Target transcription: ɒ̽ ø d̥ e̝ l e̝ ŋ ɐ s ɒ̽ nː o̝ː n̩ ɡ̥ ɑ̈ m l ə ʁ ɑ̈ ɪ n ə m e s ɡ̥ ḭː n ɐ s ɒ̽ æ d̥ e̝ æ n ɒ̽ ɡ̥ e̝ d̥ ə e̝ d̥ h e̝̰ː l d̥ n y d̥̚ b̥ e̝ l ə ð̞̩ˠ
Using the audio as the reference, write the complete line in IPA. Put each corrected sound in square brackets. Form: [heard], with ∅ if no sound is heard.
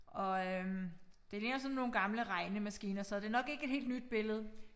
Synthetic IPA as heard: ɒ̽ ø d̥ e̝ l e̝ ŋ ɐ s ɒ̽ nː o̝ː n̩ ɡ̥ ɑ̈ m l ə ʁ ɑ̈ ɪ n ə m [æ] s ɡ̥ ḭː n ɐ s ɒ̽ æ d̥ e̝ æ n ɒ̽ ɡ̥ e̝ [ɡ̥] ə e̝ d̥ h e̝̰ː l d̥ n y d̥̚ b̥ e̝ l ə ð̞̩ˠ